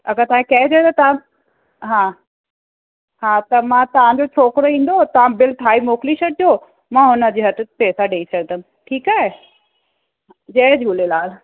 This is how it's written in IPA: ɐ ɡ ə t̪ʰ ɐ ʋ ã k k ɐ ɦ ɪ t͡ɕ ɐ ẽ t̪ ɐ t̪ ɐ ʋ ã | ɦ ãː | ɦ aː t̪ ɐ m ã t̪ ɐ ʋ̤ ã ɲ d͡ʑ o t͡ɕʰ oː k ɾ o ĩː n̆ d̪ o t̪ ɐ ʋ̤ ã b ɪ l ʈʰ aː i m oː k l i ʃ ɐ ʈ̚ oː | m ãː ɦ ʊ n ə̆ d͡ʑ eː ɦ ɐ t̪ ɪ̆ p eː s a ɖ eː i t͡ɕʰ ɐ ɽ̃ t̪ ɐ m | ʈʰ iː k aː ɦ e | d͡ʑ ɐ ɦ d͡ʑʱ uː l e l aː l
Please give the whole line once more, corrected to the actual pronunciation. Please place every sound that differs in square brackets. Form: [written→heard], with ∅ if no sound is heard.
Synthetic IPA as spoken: ɐ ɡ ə [t̪ʰ→t̪] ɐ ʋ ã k k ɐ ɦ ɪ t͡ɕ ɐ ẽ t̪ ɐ t̪ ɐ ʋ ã | ɦ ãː | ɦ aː t̪ ɐ m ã t̪ ɐ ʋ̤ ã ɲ d͡ʑ o t͡ɕʰ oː k ɾ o ĩː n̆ d̪ o t̪ ɐ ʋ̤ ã b ɪ l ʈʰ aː i m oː k l i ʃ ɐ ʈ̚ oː | m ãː ɦ ʊ n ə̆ d͡ʑ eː ɦ ɐ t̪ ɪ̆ p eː s a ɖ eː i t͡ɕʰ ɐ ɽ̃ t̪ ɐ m | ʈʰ iː k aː ɦ e | d͡ʑ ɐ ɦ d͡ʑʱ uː l e l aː l